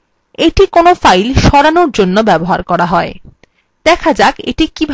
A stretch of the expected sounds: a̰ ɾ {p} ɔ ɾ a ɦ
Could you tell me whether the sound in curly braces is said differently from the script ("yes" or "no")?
yes